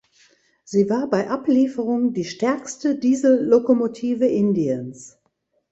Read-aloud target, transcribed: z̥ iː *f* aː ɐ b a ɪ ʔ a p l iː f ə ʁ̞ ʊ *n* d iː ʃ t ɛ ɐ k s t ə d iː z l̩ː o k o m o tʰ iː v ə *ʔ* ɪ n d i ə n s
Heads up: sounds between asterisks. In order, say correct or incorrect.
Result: incorrect, incorrect, correct

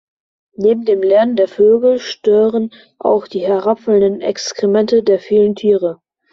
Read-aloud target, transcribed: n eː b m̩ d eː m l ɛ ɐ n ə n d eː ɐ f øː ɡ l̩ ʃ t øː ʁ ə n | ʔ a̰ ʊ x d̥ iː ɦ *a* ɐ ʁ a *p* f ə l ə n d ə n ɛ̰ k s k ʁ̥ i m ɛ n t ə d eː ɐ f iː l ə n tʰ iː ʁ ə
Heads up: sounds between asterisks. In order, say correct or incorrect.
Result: incorrect, correct

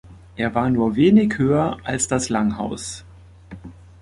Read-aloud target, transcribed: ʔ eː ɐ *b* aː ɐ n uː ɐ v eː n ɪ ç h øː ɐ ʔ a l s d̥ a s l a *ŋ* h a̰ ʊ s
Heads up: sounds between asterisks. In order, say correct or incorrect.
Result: incorrect, correct

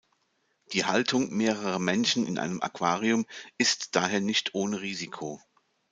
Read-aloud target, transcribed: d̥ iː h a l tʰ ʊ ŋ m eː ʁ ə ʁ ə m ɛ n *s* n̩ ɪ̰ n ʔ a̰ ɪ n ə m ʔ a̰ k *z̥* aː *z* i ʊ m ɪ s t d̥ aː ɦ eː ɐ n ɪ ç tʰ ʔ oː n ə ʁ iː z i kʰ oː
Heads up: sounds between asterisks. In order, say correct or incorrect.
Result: incorrect, incorrect, incorrect

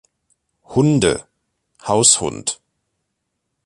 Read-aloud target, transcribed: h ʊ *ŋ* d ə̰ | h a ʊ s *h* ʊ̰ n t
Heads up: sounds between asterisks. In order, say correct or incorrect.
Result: incorrect, correct

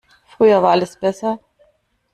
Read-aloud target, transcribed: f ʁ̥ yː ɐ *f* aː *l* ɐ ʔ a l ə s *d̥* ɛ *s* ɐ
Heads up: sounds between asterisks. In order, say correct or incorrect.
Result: incorrect, incorrect, incorrect, correct

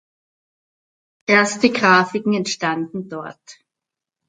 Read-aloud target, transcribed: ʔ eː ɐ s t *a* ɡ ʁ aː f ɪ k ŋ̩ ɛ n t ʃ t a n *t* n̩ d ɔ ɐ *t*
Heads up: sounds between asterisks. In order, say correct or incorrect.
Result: incorrect, incorrect, correct

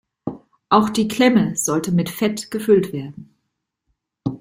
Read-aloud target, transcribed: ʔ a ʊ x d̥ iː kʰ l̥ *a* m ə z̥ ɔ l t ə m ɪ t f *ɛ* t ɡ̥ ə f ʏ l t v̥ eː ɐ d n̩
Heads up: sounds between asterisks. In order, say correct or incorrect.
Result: incorrect, correct

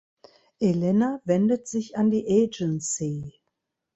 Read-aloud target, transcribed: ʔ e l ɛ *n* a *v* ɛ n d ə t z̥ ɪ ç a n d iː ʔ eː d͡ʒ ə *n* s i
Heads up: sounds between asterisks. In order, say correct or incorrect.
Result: correct, correct, correct

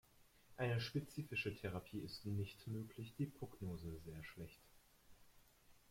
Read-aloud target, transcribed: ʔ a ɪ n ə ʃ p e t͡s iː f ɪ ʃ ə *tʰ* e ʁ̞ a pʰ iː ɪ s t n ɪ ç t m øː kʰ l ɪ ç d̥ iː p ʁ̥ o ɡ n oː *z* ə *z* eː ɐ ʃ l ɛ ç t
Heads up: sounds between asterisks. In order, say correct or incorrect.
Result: correct, correct, correct

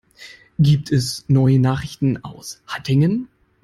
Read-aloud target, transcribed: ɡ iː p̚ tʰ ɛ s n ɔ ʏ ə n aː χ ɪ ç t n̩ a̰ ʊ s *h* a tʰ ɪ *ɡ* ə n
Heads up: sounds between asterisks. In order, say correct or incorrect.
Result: correct, incorrect

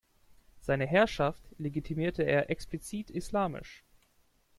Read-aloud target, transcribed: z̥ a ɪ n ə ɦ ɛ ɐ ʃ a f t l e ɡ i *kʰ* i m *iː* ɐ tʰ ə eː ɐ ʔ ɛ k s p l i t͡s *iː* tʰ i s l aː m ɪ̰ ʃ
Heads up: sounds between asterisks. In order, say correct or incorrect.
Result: incorrect, correct, correct

